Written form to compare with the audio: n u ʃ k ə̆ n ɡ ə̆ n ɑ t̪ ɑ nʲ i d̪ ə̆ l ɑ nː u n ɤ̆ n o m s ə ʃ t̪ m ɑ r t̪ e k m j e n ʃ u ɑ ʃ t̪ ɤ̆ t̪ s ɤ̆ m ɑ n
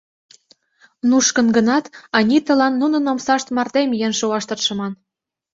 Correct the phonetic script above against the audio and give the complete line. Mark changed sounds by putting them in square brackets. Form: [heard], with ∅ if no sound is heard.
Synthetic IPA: n u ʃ k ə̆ n ɡ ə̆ n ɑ t̪ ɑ nʲ i [t̪] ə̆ l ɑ nː u n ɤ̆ n o m s [ɑ] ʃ t̪ m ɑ r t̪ e [∅] m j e n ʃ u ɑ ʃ t̪ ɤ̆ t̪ [ʃ] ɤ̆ m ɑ n